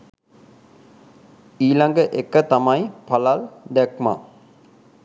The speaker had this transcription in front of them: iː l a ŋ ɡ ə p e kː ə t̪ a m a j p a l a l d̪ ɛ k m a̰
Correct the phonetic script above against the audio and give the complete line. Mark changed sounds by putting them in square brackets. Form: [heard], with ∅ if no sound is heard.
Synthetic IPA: iː l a ŋ ɡ ə [ʔ] e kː ə t̪ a m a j p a l a l d̪ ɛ k m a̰